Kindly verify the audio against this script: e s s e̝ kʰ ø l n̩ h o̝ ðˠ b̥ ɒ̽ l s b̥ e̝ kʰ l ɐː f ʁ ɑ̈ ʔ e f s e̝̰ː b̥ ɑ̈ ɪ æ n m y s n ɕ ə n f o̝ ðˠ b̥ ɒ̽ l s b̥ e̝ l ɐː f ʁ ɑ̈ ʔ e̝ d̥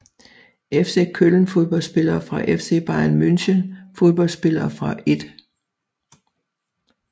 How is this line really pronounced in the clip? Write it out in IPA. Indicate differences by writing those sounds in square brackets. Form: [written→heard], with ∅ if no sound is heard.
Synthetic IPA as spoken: e [s→f] s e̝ kʰ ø l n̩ [h→f] o̝ ðˠ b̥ ɒ̽ l s b̥ e̝ [kʰ→∅] l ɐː f ʁ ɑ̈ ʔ e f s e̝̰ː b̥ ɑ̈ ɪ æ n m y [s→∅] n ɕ ə n f o̝ ðˠ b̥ ɒ̽ l s b̥ e̝ l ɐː f ʁ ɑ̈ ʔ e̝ d̥